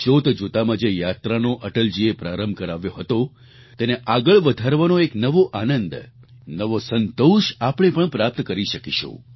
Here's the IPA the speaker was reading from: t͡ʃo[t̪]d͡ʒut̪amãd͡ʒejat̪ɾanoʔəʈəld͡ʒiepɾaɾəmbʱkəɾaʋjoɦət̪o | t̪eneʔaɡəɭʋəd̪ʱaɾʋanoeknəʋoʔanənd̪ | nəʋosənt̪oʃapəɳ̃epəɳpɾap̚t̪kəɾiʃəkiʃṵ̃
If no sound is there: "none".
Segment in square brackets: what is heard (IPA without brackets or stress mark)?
t̪